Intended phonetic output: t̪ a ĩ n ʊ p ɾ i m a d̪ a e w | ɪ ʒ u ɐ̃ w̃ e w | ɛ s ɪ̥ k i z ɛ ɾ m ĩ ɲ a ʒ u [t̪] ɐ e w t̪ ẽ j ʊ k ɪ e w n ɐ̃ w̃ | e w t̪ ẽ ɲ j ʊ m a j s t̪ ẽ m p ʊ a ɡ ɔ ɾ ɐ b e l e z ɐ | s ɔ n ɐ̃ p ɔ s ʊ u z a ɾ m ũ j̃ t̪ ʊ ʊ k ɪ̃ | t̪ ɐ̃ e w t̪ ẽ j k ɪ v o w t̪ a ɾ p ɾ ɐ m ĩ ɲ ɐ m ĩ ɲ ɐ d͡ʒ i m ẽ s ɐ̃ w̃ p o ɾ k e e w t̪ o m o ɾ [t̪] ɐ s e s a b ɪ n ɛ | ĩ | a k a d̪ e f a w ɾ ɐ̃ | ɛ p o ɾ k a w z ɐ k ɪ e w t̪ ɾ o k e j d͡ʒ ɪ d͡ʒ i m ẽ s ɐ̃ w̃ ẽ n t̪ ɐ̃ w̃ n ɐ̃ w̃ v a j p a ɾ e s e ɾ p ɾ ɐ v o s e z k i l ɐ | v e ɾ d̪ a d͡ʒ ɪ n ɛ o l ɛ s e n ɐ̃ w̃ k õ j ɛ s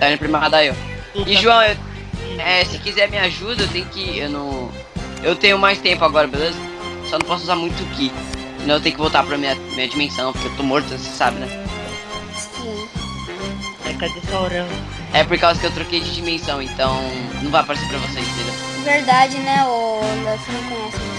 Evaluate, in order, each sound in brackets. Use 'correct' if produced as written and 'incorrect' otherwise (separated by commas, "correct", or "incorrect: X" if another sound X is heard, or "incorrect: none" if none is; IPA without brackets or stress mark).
incorrect: d̪, correct